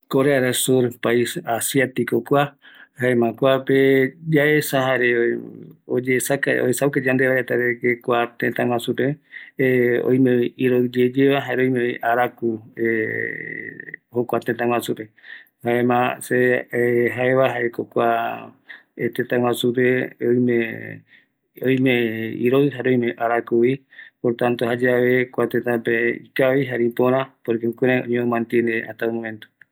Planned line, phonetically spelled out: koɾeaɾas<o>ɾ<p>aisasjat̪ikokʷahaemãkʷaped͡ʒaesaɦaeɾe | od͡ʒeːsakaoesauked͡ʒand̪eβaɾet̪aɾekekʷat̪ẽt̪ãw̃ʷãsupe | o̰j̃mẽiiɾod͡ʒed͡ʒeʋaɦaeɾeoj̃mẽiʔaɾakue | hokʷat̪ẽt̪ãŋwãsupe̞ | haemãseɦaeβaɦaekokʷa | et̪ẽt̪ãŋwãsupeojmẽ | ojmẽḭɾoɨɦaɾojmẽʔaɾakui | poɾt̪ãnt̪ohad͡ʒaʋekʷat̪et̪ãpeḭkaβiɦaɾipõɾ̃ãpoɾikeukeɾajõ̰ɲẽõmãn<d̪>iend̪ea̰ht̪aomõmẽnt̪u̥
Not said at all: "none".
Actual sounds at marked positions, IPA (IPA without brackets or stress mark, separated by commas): u, p, t̪